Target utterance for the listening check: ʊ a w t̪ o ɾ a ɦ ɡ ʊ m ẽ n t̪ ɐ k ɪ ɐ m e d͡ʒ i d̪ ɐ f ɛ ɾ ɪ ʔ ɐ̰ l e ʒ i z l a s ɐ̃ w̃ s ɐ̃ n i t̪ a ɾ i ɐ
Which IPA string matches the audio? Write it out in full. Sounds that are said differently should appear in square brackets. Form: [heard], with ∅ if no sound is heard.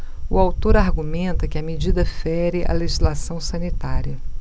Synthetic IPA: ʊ a w t̪ o ɾ a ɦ ɡ [u] m ẽ n t̪ ɐ k ɪ ɐ m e d͡ʒ i d̪ ɐ f ɛ ɾ ɪ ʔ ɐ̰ l e ʒ i z l a s ɐ̃ w̃ s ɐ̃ n i t̪ a ɾ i ɐ